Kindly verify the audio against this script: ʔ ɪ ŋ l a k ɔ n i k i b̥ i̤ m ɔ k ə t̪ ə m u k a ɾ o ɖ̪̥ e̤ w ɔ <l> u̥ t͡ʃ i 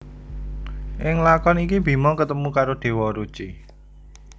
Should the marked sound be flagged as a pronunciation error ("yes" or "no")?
yes